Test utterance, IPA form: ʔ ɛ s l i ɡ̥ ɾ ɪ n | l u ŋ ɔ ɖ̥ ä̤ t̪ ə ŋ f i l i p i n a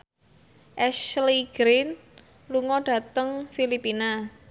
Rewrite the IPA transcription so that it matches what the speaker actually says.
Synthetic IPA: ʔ ɛ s l i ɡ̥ ɾ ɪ n | l u ŋ ɔ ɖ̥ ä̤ t̪ ə ŋ f i l i p i n a

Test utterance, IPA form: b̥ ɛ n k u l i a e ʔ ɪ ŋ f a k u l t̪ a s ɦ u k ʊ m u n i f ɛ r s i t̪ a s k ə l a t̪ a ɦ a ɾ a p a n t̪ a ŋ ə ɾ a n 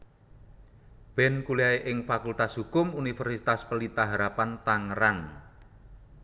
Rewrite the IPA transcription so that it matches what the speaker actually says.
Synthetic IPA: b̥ ɛ n k u l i a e ʔ ɪ ŋ f a k u l t̪ a s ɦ u k ʊ m u n i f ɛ r s i t̪ a s p ə l i t̪ a ɦ a ɾ a p a n t̪ a ŋ ə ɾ a n

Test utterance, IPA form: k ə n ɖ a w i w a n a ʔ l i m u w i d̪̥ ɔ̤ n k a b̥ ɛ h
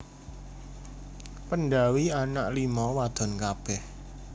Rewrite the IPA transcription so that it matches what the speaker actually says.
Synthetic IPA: p ə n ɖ a w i a n a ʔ l i m ɔ w a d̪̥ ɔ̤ n k a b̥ ɛ h

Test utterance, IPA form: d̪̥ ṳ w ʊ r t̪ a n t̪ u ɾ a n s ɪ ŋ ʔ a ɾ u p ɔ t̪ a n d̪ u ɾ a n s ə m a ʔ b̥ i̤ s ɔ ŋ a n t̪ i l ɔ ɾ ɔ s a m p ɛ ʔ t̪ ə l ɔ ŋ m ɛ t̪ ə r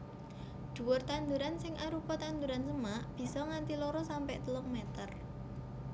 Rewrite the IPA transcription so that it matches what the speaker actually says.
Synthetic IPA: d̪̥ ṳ w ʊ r t̪ a n d̪ u ɾ a n s ɪ ŋ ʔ a ɾ u p ɔ t̪ a n d̪ u ɾ a n s ə m a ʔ b̥ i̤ s ɔ ŋ a n t̪ i l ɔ ɾ ɔ s a m p ɛ ʔ t̪ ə l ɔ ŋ m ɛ t̪ ə r

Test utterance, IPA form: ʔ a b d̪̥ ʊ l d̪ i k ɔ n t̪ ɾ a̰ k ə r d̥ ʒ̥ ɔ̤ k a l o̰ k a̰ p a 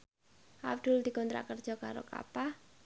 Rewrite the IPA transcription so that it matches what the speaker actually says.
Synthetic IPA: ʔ a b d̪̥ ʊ l d̪ i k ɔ n t̪ ɾ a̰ k ə r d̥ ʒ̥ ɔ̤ k a ɾ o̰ k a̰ p a

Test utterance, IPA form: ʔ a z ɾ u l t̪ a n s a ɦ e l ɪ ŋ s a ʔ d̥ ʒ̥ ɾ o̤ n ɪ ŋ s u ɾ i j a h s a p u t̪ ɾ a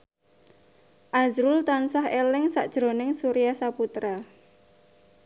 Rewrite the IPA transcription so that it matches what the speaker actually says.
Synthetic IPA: ʔ a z ɾ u l t̪ a n s a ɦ e l ɪ ŋ s a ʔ d̥ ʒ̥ ɾ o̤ n ɪ ŋ s u ɾ i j a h s a p u t̪ ɾ a

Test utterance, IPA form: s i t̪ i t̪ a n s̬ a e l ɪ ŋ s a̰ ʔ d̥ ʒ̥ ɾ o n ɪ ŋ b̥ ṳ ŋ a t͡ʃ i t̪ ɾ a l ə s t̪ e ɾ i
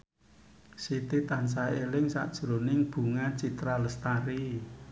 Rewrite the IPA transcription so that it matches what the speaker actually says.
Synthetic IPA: s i t̪ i t̪ a n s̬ a e l ɪ ŋ s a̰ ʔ d̥ ʒ̥ ɾ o n ɪ ŋ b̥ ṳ ŋ a t͡ʃ i t̪ ɾ a l ə s t̪ a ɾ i

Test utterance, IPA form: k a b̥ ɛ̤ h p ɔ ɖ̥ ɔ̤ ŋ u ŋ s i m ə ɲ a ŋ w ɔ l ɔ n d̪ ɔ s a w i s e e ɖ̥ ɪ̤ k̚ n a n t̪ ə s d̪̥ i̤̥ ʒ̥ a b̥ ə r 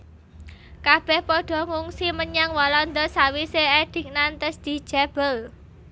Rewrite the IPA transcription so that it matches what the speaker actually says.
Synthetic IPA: k a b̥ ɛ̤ h p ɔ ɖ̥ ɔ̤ ŋ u ŋ s i m ə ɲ a ŋ w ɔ l ɔ n d̪ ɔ s a w i s e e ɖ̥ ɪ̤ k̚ n a n t̪ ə s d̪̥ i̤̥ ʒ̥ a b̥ ə l

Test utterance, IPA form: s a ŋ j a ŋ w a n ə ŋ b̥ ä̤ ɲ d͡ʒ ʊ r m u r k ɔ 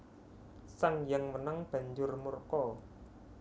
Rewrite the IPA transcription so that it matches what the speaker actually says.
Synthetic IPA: s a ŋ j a ŋ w ə n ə ŋ b̥ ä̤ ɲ d͡ʒ ʊ r m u r k ɔ

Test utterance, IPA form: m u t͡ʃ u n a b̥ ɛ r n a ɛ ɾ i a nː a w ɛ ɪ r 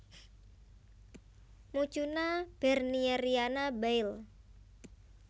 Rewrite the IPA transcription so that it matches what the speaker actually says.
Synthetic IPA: m u t͡ʃ u n a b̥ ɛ r n i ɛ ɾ i a n a b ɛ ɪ l

